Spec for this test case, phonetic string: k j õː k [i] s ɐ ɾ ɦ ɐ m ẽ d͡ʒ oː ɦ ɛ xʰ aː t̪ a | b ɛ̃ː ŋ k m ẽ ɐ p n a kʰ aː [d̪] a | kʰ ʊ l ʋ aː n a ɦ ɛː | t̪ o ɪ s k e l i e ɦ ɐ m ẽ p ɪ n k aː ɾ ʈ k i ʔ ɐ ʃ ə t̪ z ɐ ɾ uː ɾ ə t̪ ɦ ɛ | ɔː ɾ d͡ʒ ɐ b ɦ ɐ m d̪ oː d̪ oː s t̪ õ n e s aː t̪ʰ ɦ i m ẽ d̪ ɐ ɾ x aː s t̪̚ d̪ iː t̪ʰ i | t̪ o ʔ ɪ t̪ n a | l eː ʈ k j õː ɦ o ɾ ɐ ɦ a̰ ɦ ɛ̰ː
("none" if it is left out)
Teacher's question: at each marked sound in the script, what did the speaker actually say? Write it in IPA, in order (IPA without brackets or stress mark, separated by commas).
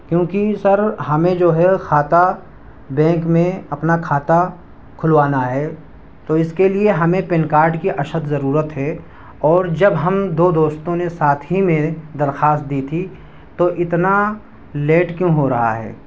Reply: i, t̪